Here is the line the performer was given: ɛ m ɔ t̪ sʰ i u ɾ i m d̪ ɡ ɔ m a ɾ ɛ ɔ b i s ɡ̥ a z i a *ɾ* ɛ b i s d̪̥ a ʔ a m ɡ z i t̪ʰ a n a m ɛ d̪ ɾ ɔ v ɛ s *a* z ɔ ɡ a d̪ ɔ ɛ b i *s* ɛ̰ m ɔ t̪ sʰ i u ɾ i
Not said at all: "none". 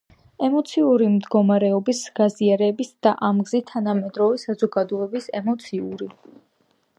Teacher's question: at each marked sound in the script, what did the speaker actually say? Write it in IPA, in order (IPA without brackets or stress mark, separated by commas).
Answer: ɾ, a, s